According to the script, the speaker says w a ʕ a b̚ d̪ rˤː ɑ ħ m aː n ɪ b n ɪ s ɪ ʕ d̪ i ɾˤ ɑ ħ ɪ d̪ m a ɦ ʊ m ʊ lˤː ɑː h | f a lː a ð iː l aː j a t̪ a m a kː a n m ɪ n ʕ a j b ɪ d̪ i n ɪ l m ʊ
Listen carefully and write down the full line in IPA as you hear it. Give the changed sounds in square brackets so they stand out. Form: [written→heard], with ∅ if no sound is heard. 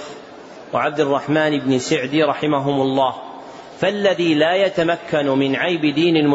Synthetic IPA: w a ʕ a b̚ d̪ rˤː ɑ ħ m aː n ɪ b n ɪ s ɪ ʕ d̪ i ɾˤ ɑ ħ ɪ [d̪→∅] m a ɦ ʊ m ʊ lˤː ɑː h | f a lː a ð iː l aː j a t̪ a m a kː a n m ɪ n ʕ a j b ɪ d̪ [i→iː] n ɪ l m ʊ